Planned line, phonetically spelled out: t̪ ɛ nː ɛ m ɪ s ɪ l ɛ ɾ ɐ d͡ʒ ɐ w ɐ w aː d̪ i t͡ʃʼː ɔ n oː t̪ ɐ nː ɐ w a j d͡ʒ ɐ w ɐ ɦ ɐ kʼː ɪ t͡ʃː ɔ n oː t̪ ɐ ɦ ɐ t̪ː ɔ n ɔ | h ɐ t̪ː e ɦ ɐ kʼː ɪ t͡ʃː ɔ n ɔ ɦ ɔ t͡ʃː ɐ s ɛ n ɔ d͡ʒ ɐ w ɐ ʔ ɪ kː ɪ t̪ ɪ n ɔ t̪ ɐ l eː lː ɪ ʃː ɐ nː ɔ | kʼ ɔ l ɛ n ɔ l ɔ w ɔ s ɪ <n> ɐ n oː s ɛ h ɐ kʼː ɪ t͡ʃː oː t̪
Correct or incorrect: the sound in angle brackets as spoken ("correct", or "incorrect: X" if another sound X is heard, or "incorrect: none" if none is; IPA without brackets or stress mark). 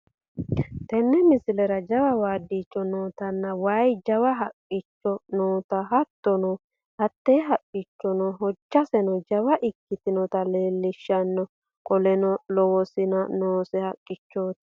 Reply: correct